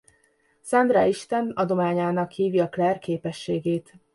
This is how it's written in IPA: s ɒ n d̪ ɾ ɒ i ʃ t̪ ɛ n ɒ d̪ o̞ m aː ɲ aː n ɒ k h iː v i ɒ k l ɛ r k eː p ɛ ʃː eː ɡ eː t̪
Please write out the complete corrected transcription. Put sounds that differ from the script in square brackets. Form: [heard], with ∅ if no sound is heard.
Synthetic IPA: s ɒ n d̪ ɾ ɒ i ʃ t̪ ɛ n ɒ d̪ o̞ m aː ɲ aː n ɒ k h iː v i ɒ k l ɛ r k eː p ɛ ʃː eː ɡ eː t̪